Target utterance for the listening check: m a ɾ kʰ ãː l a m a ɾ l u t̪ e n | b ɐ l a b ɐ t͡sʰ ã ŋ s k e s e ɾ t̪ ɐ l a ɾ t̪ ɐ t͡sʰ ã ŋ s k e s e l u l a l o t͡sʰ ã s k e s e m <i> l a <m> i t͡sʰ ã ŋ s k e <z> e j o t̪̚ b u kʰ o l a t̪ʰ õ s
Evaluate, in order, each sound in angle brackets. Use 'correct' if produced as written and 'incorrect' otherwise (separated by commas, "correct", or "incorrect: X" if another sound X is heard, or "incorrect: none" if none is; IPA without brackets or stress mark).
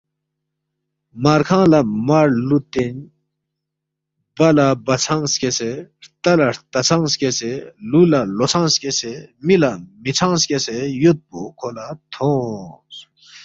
correct, correct, incorrect: s